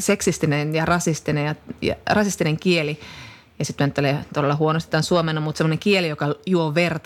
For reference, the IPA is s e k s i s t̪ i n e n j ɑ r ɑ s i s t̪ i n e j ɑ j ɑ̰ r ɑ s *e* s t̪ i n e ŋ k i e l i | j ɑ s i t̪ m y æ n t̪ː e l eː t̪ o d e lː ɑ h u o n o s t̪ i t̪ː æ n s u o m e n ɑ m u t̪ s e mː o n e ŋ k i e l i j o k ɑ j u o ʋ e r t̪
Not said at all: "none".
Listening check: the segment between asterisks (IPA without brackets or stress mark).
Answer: i